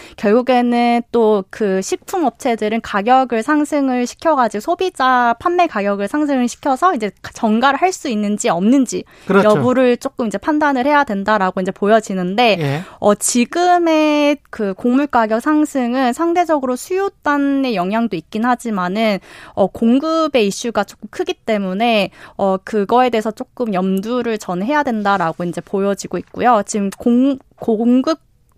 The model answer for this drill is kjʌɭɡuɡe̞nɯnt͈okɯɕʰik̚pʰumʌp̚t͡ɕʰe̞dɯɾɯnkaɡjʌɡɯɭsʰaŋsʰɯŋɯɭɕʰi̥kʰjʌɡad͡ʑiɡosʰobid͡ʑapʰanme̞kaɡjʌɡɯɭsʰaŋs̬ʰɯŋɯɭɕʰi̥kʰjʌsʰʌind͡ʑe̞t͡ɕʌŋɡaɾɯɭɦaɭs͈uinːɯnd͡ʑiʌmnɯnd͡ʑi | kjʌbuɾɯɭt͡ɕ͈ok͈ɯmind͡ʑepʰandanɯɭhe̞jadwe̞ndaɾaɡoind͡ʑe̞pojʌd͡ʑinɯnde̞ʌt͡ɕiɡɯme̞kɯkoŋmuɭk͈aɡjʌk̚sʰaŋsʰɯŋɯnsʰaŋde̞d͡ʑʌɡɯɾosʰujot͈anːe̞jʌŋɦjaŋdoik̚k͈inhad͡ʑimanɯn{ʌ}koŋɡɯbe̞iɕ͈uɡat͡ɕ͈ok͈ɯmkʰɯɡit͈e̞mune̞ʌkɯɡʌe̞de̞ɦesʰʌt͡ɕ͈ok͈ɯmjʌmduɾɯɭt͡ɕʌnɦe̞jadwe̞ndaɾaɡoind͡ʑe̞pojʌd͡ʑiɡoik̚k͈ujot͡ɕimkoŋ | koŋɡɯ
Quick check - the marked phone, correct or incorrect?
correct